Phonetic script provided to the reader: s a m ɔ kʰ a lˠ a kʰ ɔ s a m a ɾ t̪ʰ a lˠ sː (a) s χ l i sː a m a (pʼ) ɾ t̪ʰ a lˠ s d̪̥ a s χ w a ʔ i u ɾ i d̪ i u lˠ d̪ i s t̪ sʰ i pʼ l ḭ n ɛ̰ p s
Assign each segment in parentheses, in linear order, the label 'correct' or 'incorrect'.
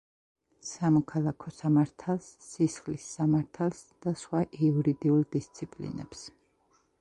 incorrect: i, incorrect: none

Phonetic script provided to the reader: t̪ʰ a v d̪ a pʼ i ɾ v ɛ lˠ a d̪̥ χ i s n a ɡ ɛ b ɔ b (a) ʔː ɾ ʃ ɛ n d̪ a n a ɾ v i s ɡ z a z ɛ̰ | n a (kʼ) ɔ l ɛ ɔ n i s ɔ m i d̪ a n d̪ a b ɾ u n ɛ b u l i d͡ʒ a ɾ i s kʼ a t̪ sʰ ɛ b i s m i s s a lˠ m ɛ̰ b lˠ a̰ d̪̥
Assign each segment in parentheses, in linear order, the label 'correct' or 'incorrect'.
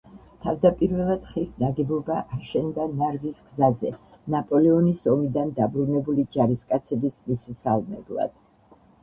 correct, incorrect: pʼ

